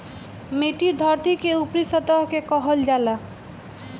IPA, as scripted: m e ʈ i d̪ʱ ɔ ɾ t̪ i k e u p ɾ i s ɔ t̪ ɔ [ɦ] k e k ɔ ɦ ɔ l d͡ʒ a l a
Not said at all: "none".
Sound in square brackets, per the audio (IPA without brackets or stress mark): ɦ